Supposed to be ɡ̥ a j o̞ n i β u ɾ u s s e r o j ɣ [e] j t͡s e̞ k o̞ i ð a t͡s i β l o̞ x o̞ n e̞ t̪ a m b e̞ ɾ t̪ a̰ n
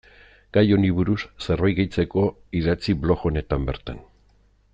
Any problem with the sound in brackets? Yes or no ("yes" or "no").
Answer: no